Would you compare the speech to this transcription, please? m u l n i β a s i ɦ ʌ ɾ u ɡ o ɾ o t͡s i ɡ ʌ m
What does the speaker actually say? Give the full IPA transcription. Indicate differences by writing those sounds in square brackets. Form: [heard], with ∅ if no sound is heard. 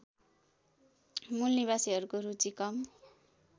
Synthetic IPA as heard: m u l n i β a s i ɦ ʌ ɾ u [k] o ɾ [u] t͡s i [k] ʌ m